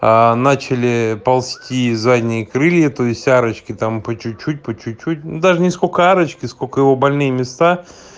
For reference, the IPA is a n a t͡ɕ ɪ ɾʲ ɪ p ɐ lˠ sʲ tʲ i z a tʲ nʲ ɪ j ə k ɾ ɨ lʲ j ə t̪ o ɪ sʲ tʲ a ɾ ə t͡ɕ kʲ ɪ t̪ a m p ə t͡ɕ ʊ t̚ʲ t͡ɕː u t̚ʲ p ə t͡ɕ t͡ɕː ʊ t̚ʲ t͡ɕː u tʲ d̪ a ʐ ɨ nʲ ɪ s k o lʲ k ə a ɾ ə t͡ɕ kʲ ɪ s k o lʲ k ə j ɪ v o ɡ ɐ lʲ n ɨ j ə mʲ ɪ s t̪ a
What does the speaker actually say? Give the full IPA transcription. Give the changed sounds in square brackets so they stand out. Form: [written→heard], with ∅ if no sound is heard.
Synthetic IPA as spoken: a n a t͡ɕ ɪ [ɾʲ→lʲ] ɪ p ɐ lˠ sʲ tʲ i z a [tʲ→dʲ] nʲ ɪ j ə k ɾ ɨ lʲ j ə t̪ o ɪ sʲ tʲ a ɾ ə t͡ɕ kʲ ɪ t̪ a m p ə t͡ɕ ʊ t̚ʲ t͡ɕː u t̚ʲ p ə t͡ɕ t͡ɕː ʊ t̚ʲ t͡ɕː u tʲ d̪ a ʐ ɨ nʲ ɪ s k o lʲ k ə a ɾ ə t͡ɕ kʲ ɪ s k o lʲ k ə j ɪ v o [ɡ→b] ɐ lʲ n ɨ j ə mʲ ɪ s t̪ a